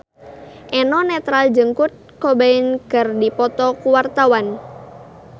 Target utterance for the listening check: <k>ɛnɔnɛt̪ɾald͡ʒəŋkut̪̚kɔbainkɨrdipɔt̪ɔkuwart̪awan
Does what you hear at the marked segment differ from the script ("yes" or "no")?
yes